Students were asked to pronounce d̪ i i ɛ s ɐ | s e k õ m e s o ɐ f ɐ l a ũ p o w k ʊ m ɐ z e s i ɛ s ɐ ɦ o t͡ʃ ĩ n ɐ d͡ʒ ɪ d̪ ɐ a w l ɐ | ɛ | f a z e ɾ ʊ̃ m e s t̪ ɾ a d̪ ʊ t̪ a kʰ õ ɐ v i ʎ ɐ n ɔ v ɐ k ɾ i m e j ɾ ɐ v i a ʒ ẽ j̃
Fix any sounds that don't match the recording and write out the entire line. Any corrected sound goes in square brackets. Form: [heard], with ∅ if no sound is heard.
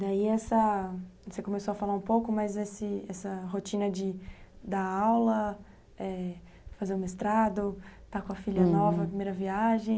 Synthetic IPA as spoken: d̪ [a] i ɛ s ɐ | s e k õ m e s o ɐ f [a] l a ũ p o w k ʊ m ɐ z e s [ɪ] ɛ s ɐ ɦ o t͡ʃ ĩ n ɐ d͡ʒ ɪ d̪ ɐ a w l ɐ | ɛ | f a z e ɾ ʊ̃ m e s t̪ ɾ a d̪ ʊ t̪ a [k] õ ɐ [f] i ʎ ɐ n ɔ v ɐ [p] ɾ i m e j ɾ ɐ v i a ʒ ẽ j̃